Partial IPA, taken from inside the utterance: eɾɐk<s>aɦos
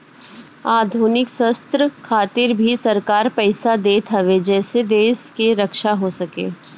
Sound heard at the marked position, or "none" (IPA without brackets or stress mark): ʃ